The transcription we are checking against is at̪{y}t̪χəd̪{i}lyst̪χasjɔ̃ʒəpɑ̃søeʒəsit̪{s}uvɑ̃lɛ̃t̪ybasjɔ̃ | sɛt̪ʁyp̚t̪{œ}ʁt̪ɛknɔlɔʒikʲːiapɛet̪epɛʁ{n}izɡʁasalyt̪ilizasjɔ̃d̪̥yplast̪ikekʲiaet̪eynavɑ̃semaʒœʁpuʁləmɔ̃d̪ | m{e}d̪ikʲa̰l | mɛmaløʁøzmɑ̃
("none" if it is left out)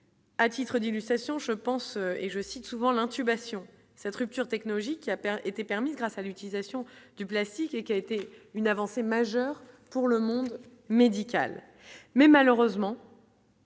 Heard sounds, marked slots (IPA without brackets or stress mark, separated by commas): i, i, s, y, m, e